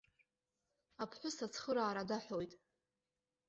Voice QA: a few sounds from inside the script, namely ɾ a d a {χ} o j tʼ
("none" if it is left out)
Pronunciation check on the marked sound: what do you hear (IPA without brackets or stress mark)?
ħ